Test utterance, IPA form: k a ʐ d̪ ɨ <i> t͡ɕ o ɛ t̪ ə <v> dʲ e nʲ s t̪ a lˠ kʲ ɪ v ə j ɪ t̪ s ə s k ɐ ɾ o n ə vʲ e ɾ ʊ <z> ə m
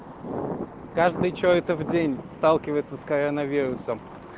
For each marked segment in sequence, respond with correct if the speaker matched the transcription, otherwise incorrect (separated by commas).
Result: incorrect, correct, incorrect